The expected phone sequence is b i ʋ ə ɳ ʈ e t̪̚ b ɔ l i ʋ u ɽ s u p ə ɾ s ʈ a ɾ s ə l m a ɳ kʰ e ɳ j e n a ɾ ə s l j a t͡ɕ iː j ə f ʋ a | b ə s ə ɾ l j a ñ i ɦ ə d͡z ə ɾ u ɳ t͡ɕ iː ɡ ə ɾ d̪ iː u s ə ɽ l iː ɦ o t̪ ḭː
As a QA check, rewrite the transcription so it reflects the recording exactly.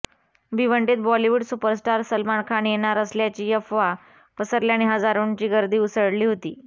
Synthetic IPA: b i ʋ ə ɳ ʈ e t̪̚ b ɔ l i ʋ u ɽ s u p ə ɾ s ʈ a ɾ s ə l m a ɳ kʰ a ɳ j e n a ɾ ə s l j a t͡ɕ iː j ə f ʋ a | p ə s ə ɾ l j a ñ i ɦ ə d͡z a ɾ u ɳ t͡ɕ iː ɡ ə ɾ d̪ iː u s ə ɽ l iː ɦ o t̪ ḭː